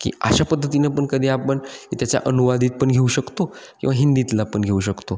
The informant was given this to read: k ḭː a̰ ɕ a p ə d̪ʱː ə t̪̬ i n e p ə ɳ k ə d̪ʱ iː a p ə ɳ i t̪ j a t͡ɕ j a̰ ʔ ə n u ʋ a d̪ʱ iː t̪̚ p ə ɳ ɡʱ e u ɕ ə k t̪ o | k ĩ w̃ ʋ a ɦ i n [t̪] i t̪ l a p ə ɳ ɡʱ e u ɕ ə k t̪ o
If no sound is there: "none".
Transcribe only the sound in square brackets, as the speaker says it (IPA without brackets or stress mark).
d̪